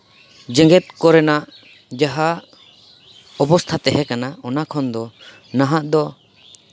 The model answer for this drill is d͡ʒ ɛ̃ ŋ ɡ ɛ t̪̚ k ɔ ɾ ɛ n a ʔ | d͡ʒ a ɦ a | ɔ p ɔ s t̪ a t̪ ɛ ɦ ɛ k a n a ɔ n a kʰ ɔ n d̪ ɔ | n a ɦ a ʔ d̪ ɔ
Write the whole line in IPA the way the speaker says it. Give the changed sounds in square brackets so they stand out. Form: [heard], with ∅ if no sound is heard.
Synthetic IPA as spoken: d͡ʒ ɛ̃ ŋ ɡ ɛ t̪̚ k ɔ ɾ ɛ n a ʔ | d͡ʒ a ɦ a | ɔ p ɔ s [t̪ʰ] a t̪ ɛ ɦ ɛ k a n a ɔ n a kʰ ɔ n d̪ ɔ | n a ɦ a ʔ d̪ ɔ